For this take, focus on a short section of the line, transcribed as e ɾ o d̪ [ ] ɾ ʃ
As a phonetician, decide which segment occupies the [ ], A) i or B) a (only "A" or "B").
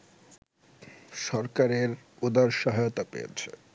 B